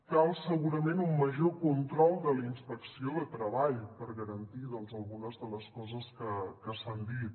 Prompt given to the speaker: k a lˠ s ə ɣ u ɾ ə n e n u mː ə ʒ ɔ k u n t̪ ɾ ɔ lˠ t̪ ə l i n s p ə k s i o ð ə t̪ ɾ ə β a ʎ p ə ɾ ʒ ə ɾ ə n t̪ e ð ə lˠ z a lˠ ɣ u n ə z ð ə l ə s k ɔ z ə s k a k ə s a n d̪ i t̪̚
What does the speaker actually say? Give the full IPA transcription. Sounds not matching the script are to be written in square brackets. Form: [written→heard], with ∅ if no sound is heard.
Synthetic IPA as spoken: k a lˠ s ə ɣ u ɾ ə [n→m] e n u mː ə ʒ [ɔ→o] k u n t̪ ɾ ɔ lˠ [t̪→d̪] ə l i n s p ə k s i o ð ə t̪ ɾ ə β a ʎ p ə ɾ [ʒ→ɣ] ə ɾ ə n t̪ [e→i] ð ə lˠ z [a→ə] lˠ ɣ u n ə z ð ə l ə s k ɔ z ə s k [a→ə] k ə s a n d̪ i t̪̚

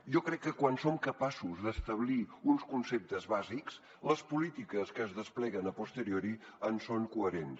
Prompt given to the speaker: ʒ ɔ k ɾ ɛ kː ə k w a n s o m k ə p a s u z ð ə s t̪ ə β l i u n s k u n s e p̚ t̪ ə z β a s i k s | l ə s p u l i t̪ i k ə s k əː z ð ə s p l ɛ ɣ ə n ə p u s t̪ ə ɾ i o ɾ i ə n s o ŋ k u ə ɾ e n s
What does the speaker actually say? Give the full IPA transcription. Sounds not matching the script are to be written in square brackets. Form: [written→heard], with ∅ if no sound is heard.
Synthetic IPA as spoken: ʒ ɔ k ɾ ɛ kː ə k w a n s o m k ə p a s u z ð ə s t̪ ə β l i u n s k u n s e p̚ t̪ ə z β a [s→z] i k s | l ə s p u l i t̪ i k ə s k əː z ð ə s p l ɛ ɣ ə n ə p u s t̪ ə ɾ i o ɾ i ə n s o ŋ k u ə ɾ e n s

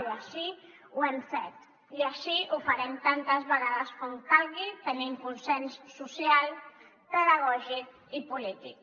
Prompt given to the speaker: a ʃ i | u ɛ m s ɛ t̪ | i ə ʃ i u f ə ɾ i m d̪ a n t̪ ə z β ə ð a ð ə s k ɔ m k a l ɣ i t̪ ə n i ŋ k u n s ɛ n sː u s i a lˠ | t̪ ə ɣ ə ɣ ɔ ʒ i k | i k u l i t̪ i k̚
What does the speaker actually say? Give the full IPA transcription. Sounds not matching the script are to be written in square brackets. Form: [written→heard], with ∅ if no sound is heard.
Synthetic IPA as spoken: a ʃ i | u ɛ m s ɛ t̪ | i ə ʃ i u f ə ɾ [i→ɛ] m [d̪→t̪] a n t̪ ə z β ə [ð→ɣ] a ð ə s k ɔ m k a l ɣ i t̪ ə n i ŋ k u n s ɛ n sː u s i a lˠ | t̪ ə [ɣ→ð] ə ɣ ɔ ʒ i k | i [k→p] u l i t̪ i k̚

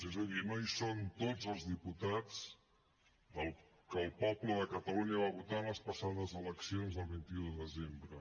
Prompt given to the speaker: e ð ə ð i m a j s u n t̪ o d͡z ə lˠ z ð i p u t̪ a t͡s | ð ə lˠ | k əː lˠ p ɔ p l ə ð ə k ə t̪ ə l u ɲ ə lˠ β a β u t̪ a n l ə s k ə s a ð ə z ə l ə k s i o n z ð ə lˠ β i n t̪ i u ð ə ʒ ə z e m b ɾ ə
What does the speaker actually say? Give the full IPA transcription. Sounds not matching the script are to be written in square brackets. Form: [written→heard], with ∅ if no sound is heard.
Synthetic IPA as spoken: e [ð→z] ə ð i m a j s [u→o] n t̪ o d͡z ə lˠ z ð i p u t̪ a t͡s | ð ə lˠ | k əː lˠ p ɔ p l ə ð ə k ə t̪ ə l u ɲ ə [lˠ→∅] β a β u t̪ a n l ə s [k→p] ə s a ð ə z ə l ə k s i o n z ð ə lˠ β i n t̪ i u ð ə [ʒ→ð] ə z e m b ɾ ə

